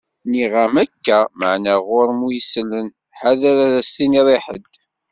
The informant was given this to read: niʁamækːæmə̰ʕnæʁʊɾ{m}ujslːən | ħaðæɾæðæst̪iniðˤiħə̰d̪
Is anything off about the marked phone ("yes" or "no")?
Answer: no